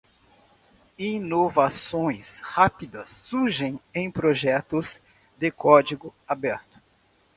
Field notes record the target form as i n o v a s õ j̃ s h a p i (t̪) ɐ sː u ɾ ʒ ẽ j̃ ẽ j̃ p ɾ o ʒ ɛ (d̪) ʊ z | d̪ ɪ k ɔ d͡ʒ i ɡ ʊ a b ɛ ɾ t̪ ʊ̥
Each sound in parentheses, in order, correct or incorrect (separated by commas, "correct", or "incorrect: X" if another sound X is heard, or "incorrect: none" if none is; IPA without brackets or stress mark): incorrect: d̪, incorrect: t̪